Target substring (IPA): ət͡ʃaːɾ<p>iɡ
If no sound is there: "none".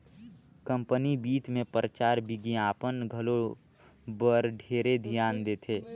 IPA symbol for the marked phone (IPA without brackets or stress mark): b